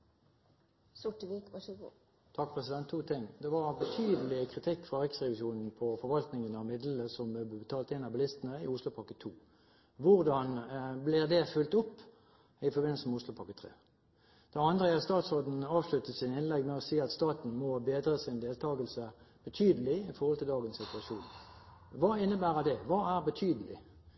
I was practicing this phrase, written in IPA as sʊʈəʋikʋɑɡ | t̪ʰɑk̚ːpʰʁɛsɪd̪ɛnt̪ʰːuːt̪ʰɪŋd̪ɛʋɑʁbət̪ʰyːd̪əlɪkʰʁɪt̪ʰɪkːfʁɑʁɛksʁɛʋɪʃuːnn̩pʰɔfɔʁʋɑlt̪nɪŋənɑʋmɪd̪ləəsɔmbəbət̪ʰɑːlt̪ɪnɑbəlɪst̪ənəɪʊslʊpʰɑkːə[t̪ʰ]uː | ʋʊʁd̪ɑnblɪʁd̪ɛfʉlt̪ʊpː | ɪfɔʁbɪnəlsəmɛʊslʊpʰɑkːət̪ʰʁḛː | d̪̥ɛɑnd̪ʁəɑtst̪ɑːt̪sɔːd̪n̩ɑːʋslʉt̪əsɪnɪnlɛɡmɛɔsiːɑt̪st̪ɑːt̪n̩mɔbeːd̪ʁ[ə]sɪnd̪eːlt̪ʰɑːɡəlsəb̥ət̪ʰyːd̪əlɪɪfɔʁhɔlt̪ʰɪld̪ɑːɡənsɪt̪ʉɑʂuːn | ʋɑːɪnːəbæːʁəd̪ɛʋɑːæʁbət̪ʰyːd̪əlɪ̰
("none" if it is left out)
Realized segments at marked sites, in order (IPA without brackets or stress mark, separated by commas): t̪ʰ, ə